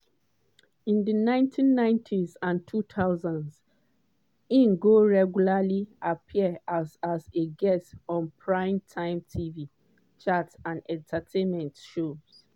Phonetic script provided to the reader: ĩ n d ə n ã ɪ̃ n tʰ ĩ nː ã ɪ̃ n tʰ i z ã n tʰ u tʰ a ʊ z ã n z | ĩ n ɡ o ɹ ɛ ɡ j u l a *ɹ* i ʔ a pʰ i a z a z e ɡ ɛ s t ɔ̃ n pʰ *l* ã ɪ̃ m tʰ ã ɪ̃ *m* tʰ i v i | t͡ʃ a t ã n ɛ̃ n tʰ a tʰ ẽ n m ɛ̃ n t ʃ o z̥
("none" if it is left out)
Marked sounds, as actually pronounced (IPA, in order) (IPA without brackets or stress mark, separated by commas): l, ɹ, m